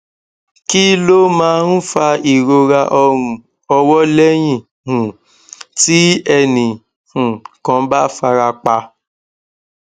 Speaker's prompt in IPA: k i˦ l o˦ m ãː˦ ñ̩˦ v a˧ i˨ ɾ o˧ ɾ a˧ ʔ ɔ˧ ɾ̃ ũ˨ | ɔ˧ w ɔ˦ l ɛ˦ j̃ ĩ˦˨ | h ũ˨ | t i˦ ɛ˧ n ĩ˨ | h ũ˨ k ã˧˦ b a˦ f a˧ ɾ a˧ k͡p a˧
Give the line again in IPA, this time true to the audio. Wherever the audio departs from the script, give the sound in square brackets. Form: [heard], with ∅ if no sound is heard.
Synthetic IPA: k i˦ l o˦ m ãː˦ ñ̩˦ [f] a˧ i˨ ɾ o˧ ɾ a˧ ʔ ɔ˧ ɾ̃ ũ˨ | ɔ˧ w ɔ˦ l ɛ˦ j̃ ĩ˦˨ | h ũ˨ | t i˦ ɛ˧ n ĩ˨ | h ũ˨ k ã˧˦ b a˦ f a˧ ɾ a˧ k͡p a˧